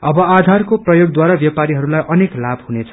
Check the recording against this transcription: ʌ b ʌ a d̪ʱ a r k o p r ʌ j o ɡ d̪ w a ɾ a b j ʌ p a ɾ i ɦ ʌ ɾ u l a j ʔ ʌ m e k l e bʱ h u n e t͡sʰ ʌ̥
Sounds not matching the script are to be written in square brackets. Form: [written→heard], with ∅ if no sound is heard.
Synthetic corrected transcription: ʌ b ʌ a d̪ʱ a r k o p r ʌ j o ɡ d̪ w a ɾ a b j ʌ p a ɾ i ɦ ʌ ɾ u l a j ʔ ʌ [m→n] e k l [e→a] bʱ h u n e t͡sʰ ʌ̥